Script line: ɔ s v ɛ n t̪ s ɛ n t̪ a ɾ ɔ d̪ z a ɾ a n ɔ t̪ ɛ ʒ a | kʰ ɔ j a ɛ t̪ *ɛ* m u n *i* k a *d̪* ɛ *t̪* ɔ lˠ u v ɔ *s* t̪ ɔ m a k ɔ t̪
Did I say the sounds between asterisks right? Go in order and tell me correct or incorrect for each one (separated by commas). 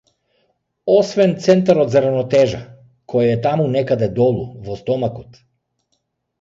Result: incorrect, incorrect, correct, incorrect, correct